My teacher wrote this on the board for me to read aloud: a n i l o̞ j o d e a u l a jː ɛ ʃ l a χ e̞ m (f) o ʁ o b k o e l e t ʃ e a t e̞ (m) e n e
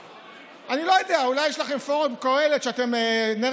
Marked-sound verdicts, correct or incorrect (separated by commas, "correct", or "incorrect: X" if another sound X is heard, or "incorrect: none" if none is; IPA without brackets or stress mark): correct, correct